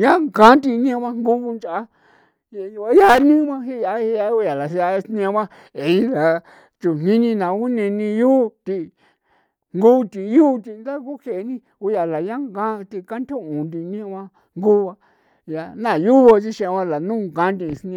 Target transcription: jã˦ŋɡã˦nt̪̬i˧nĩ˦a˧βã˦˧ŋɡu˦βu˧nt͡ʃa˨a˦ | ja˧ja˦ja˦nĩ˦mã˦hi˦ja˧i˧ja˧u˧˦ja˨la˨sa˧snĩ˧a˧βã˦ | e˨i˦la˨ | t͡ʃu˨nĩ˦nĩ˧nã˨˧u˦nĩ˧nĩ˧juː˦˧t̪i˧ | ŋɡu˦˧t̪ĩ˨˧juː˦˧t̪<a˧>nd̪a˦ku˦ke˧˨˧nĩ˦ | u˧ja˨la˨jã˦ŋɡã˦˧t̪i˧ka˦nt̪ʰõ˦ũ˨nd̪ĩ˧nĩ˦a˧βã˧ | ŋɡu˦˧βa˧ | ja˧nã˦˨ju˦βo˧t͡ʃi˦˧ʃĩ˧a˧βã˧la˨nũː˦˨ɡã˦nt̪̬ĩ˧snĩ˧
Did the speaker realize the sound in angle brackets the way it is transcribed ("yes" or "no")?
no